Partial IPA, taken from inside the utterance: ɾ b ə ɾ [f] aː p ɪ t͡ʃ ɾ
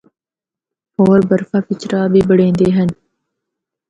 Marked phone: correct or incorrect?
correct